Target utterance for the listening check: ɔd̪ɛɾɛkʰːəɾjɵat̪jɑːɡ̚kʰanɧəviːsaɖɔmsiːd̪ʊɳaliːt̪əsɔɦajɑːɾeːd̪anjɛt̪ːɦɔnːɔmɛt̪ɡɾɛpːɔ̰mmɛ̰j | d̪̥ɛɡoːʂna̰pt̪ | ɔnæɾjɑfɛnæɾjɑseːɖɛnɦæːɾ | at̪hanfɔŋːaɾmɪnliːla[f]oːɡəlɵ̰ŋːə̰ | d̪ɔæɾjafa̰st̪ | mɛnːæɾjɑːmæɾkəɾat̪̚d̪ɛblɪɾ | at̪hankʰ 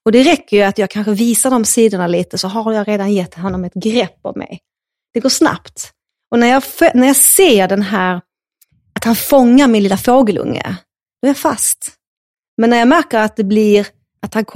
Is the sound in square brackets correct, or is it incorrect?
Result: correct